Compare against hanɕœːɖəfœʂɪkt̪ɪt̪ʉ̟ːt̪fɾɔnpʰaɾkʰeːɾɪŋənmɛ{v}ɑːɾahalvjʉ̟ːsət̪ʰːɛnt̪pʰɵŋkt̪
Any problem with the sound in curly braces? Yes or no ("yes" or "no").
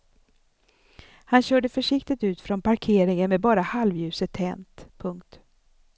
yes